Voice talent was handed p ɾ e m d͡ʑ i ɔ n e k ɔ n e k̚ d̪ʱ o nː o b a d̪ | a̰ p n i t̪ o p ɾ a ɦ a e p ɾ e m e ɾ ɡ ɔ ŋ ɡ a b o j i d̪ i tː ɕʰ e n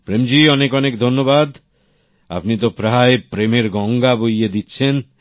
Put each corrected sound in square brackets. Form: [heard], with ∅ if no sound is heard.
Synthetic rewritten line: p ɾ e m d͡ʑ i ɔ n e k ɔ n e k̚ d̪ʱ o nː o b a d̪ | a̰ p n i t̪ o p ɾ a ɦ a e p ɾ e m e ɾ ɡ ɔ ŋ ɡ a b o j [e] d̪ i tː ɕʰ e n